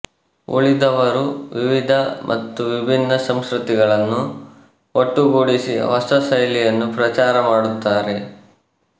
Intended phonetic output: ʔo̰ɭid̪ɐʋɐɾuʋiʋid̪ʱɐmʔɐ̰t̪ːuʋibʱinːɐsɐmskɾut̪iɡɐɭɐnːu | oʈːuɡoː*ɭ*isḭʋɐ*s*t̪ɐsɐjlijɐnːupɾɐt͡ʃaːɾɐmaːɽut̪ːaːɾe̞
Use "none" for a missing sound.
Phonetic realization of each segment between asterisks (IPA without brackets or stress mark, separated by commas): ɽ, s